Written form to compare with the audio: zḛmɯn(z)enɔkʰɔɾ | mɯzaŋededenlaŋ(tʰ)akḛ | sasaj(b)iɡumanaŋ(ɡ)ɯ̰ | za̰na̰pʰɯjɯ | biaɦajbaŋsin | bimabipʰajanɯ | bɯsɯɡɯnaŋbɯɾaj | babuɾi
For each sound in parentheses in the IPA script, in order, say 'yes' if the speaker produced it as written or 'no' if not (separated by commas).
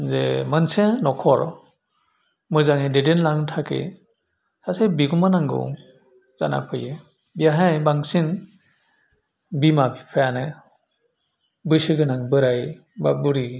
no, yes, yes, yes